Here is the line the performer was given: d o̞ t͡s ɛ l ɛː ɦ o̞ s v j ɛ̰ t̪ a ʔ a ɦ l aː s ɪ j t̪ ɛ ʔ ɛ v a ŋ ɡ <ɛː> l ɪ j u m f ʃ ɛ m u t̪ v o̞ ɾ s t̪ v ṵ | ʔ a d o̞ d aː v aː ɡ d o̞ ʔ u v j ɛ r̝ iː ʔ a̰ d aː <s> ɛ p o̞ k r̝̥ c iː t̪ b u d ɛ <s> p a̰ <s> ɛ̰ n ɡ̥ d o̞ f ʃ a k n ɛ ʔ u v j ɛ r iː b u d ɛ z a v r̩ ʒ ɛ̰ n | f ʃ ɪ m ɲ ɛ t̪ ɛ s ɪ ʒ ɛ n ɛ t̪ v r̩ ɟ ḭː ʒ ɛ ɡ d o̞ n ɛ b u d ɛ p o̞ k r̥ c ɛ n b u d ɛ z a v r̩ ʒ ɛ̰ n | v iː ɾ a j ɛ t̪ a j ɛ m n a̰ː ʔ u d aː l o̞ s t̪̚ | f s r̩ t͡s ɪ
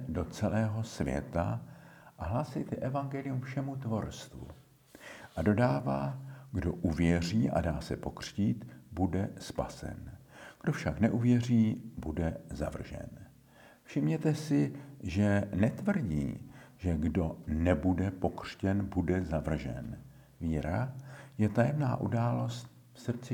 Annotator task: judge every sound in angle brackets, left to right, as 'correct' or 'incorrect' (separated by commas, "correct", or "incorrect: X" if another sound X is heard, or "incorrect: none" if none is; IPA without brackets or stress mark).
incorrect: ɛ, correct, correct, correct